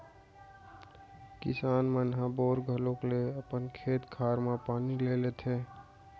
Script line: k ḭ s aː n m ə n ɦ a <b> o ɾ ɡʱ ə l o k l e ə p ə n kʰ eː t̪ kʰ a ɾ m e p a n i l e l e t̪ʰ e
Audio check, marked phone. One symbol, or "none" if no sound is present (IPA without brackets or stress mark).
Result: b